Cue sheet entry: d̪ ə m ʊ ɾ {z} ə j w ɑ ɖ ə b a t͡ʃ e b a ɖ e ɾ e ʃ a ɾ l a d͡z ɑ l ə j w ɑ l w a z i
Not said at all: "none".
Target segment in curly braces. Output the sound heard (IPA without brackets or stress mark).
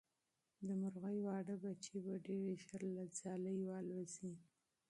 ɣ